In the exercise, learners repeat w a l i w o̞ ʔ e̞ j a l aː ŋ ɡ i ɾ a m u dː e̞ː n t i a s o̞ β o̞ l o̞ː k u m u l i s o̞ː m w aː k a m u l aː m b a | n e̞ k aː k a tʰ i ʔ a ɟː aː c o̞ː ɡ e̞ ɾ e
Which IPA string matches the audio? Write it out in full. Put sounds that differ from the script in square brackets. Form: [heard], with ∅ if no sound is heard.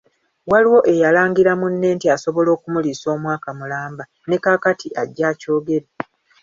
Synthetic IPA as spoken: w a l i w o̞ ʔ e̞ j a l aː ŋ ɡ i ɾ a m u [nː] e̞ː n t i a s o̞ β o̞ l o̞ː k u m u l i s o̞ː m w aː k a m u l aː m b a | n e̞ k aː k a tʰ i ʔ a ɟː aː c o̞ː ɡ e̞ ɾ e